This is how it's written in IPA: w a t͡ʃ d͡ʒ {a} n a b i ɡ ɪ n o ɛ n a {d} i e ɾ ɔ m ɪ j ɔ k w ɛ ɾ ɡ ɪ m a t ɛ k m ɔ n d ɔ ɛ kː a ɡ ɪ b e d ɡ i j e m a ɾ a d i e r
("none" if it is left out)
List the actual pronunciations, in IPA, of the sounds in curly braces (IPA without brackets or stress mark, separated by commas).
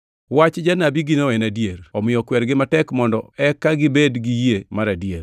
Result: a, d